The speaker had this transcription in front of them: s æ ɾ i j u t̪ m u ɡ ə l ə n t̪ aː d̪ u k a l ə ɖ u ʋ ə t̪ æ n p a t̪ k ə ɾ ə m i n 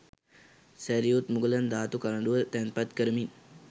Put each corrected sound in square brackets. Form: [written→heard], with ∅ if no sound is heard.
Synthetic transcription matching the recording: s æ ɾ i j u t̪ m u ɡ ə l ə n [t̪→d̪] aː [d̪→t̪] u k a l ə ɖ u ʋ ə t̪ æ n p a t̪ k ə ɾ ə m i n